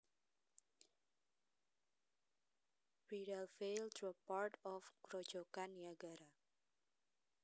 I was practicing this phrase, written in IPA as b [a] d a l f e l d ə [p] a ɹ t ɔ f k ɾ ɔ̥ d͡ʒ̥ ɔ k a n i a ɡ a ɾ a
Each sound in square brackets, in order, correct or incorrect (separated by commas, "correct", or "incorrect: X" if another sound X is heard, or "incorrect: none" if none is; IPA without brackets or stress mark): incorrect: i, correct